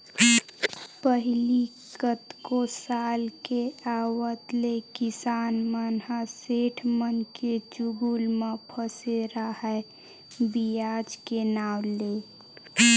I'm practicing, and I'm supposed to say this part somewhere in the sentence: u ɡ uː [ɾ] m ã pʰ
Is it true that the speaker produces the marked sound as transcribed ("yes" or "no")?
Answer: no